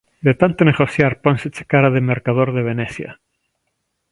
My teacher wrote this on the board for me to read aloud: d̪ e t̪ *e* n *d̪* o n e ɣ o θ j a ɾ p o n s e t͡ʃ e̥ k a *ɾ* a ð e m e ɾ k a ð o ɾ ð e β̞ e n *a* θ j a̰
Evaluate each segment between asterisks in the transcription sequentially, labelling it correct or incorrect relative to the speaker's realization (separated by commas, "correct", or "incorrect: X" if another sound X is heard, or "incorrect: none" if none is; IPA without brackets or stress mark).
incorrect: a, incorrect: t̪, correct, incorrect: e